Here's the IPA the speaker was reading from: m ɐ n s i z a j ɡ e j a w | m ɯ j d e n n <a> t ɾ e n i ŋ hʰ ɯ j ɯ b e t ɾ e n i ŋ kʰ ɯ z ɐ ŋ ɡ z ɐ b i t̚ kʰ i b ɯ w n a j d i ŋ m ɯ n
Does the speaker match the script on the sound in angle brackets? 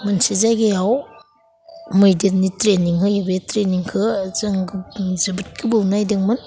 no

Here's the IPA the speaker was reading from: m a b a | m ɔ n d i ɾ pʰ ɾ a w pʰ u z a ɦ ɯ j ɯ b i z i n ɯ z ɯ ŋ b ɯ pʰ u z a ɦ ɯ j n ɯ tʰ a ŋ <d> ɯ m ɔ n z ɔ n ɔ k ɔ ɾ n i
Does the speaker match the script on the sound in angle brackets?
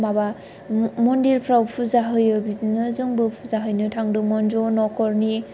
yes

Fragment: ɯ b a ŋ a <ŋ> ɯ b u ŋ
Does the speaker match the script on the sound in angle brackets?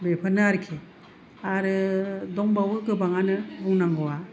no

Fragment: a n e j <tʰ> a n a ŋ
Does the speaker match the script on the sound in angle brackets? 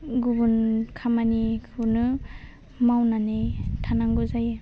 yes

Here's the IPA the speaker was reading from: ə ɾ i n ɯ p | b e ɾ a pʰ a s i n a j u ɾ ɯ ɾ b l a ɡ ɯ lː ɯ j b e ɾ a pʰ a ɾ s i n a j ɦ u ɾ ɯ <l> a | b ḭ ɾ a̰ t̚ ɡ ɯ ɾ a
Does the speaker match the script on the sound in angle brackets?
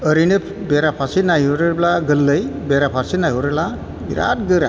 yes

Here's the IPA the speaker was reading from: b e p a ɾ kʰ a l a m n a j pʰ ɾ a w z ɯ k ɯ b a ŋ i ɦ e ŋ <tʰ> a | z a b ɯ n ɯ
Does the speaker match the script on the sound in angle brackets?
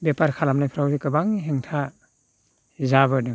yes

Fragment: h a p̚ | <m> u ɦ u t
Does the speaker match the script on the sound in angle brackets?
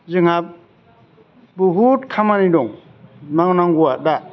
no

